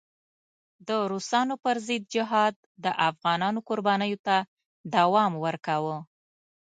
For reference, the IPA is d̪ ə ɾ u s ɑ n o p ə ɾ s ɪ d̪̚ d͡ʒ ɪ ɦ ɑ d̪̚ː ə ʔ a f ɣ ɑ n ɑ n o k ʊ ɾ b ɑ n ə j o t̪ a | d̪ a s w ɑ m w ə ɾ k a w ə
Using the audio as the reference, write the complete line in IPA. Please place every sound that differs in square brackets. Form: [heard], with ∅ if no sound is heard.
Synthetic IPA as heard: d̪ ə ɾ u s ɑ n o p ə ɾ [z] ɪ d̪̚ d͡ʒ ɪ ɦ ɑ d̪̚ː ə ʔ a f ɣ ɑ n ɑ n o k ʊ ɾ b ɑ n ə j o t̪ a | d̪ a [∅] w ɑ m w ə ɾ k a w ə